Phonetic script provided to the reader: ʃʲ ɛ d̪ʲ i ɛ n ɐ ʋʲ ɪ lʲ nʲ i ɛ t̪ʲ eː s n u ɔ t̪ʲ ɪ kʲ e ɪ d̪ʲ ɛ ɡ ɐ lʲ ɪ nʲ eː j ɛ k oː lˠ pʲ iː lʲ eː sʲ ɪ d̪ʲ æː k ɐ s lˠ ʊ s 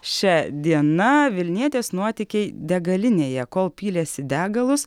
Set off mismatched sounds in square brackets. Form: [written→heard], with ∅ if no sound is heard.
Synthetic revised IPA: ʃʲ ɛ d̪ʲ i ɛ n ɐ ʋʲ ɪ lʲ nʲ i ɛ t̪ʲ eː s n u ɔ t̪ʲ ɪ kʲ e ɪ d̪ʲ ɛ ɡ ɐ lʲ ɪ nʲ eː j ɛ k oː lˠ pʲ iː lʲ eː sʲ ɪ d̪ʲ æː [k→ɡ] ɐ [s→∅] lˠ ʊ s